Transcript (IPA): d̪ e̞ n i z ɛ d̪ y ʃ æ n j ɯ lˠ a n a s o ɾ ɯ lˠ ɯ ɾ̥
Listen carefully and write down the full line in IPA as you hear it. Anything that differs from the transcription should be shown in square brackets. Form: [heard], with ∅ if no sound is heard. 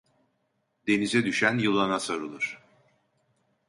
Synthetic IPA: d̪ e̞ n i z ɛ d̪ y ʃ æ n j ɯ lˠ a n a s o ɾ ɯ lˠ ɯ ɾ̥